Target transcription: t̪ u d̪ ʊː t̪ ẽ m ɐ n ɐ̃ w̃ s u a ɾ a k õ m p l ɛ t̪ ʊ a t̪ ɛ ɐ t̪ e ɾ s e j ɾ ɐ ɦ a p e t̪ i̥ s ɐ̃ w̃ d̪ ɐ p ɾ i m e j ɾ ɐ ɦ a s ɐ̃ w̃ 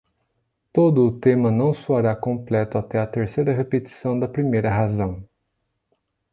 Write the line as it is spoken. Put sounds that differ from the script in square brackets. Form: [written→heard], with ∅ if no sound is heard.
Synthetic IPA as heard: t̪ [u→o] d̪ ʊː t̪ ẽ m ɐ n ɐ̃ w̃ s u a ɾ a k õ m p l ɛ t̪ ʊ a t̪ ɛ ɐ t̪ e ɾ s e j ɾ ɐ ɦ [a→e] p e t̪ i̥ s ɐ̃ w̃ d̪ ɐ p ɾ i m e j ɾ ɐ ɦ a [s→z] ɐ̃ w̃